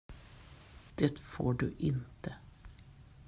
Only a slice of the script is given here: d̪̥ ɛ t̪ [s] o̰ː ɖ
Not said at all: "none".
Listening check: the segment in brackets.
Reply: f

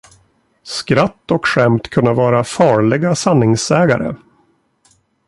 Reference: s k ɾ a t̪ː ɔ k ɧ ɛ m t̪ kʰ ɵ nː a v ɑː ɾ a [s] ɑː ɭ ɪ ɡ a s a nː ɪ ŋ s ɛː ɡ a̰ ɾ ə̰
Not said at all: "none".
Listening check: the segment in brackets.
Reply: f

